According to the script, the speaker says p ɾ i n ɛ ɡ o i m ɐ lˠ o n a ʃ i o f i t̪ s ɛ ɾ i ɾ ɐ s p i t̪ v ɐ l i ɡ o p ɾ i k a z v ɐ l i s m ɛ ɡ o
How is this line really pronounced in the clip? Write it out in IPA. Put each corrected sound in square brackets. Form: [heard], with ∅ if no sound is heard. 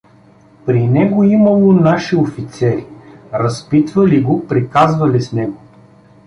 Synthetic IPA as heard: p ɾ i n ɛ ɡ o i m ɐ lˠ o n a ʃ i o f i t̪ s ɛ ɾ i ɾ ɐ s p i t̪ v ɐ l i ɡ o p ɾ i k a z v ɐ l i s [n] ɛ ɡ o